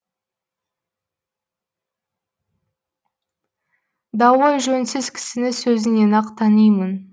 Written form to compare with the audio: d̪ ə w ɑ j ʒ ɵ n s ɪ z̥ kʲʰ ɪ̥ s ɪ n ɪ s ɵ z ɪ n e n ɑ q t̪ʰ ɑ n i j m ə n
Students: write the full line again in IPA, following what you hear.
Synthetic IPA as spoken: d̪ ɑ w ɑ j ʒ ɵ n s ɪ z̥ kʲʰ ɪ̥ s ɪ n ɪ s ɵ z ɪ n e n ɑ q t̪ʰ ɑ n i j m ə n